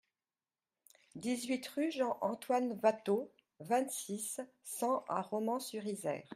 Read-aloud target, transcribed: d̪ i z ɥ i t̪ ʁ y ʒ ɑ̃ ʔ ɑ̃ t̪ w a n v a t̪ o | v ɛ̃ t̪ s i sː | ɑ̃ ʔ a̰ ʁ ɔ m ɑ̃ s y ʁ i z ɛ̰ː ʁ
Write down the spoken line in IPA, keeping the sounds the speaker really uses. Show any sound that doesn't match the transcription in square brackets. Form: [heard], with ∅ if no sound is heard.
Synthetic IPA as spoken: d̪ i z ɥ i t̪ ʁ y ʒ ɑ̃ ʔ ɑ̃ t̪ w a n v a t̪ o | v ɛ̃ t̪ s i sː | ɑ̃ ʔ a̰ ʁ ɔ m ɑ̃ s y ʁ i z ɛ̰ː ʁ